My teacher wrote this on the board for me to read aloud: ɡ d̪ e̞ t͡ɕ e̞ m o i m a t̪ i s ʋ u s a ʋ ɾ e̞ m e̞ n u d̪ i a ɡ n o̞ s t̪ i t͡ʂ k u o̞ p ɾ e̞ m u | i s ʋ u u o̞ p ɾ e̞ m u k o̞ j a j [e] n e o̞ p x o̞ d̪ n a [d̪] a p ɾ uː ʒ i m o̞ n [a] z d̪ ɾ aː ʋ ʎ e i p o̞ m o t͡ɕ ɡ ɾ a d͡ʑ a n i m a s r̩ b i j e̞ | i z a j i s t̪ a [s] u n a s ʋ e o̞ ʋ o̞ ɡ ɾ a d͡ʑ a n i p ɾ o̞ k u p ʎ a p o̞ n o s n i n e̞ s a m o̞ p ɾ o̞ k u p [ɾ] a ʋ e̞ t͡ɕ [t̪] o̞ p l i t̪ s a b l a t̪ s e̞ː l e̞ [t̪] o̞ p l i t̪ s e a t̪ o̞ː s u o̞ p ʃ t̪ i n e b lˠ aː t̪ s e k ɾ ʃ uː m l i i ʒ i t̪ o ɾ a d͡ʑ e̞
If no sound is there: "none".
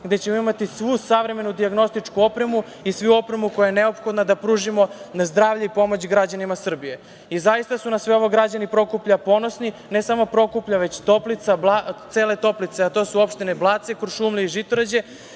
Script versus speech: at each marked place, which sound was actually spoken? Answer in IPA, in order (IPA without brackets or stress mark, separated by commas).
e, d̪, a, s, ʎ, t̪, t̪